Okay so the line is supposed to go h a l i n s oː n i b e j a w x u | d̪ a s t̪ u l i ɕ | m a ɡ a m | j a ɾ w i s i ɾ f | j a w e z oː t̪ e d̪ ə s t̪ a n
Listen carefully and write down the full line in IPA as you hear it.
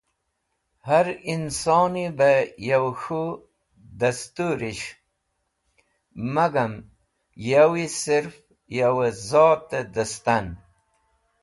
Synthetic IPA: h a ɾ i n s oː n i b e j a w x u | d̪ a s t̪ u ɾ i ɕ | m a ɡ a m | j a w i s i ɾ f | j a w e z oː t̪ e d̪ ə s t̪ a n

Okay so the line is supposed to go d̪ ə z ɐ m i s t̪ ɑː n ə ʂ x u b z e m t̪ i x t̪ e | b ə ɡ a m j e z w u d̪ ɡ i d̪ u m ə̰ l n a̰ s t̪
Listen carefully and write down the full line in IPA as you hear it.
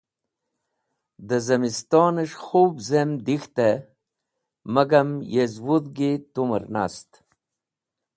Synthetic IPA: d̪ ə z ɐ m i s t̪ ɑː n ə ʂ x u b z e m d̪ i x t̪ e | m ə ɡ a m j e z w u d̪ ɡ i t̪ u m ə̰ ɾ n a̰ s t̪

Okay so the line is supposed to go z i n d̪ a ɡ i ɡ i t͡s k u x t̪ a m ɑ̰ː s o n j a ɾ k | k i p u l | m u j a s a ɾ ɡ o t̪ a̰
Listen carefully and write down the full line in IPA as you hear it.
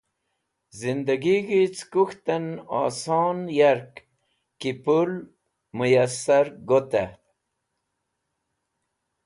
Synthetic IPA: z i n d̪ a ɡ i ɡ i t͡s k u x t̪ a n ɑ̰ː s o n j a ɾ k | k i p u l | m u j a s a ɾ ɡ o t̪ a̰

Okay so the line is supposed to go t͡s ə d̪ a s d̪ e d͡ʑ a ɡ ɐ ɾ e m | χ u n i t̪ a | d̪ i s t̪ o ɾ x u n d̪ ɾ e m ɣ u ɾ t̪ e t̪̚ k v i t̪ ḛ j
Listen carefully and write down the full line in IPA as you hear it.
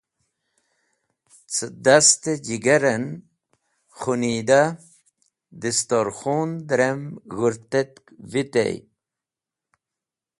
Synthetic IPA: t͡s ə d̪ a s t̪ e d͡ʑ i ɡ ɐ ɾ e n | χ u n i d̪ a | d̪ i s t̪ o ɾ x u n d̪ ɾ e m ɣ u ɾ t̪ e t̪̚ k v i t̪ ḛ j

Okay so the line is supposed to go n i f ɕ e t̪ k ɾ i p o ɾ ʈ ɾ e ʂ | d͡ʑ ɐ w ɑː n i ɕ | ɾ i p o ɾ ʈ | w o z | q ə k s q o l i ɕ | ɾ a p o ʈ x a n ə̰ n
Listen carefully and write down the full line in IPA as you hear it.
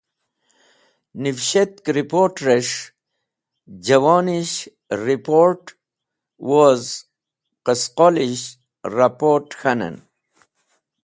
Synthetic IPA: n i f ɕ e t̪ k ɾ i p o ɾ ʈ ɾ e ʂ | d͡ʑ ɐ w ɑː n i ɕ | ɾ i p o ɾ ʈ | w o z | q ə s q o l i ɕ | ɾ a p o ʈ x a n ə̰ n

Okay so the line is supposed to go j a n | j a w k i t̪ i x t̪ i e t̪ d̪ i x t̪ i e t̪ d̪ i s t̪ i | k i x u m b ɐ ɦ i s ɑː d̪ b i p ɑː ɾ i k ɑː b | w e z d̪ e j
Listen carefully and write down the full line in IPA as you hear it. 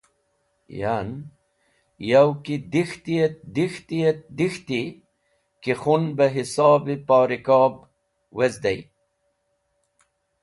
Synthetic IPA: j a n | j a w k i d̪ i x t̪ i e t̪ d̪ i x t̪ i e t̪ d̪ i x t̪ i | k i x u n b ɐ ɦ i s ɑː b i p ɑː ɾ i k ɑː b | w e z d̪ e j

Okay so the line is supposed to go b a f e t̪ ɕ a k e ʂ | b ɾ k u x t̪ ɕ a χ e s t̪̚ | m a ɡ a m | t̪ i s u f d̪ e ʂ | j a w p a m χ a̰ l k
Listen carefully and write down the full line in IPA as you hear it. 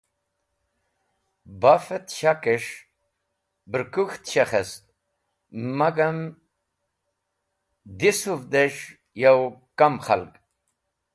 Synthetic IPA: b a f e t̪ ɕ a k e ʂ | b ɾ k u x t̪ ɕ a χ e s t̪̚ | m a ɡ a m | d̪ i s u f d̪ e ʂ | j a w k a m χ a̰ l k

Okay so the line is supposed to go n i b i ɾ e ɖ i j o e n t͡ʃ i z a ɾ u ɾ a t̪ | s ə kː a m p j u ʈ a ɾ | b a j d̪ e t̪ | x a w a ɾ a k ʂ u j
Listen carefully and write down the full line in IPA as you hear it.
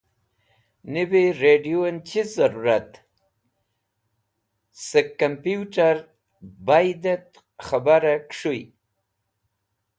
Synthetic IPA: n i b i ɾ e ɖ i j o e n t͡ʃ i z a ɾ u ɾ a t̪ | s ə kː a m p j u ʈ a ɾ | b a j d̪ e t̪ | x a b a ɾ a k ʂ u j

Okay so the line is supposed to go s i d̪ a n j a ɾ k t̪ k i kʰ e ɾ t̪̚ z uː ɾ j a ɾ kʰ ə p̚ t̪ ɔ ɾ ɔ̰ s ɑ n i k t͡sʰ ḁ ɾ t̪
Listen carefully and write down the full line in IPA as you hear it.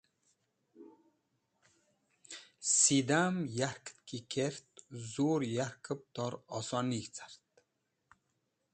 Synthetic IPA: s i d̪ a m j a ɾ k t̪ k i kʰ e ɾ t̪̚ z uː ɾ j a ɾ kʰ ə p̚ t̪ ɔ ɾ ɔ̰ s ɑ n i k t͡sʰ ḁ ɾ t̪

